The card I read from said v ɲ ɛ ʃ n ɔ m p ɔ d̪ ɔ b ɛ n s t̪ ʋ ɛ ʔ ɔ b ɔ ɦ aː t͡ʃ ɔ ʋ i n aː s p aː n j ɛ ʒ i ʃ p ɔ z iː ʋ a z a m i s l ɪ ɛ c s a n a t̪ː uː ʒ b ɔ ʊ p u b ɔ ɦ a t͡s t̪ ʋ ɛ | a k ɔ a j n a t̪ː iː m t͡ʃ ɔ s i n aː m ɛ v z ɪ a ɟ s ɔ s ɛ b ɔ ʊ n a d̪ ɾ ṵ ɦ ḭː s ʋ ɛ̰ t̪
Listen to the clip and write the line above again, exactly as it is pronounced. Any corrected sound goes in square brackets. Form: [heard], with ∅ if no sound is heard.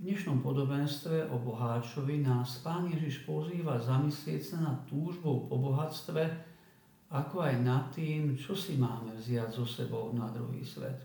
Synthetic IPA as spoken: v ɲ ɛ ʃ n ɔ m p ɔ d̪ ɔ b ɛ n s t̪ ʋ ɛ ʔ ɔ b ɔ ɦ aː t͡ʃ ɔ ʋ i n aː s p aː n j ɛ ʒ i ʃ p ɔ z iː ʋ a z a m i s l ɪ ɛ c s a n a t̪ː uː ʒ b ɔ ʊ p [ɔ] b ɔ ɦ a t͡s t̪ ʋ ɛ | a k ɔ a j n a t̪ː iː m t͡ʃ ɔ s i [m] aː m ɛ v z ɪ a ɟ [z] ɔ s ɛ b ɔ ʊ n a d̪ ɾ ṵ ɦ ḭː s ʋ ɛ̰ t̪